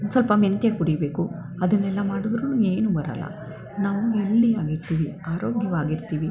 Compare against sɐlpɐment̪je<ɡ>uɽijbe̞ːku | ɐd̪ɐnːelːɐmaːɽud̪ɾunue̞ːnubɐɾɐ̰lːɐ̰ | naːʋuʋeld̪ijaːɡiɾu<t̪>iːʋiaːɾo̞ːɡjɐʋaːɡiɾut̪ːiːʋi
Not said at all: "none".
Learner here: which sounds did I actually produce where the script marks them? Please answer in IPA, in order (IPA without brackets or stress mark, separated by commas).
k, t̪